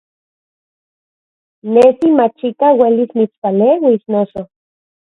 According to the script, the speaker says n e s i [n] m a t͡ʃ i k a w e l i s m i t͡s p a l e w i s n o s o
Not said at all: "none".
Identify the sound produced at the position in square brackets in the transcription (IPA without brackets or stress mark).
none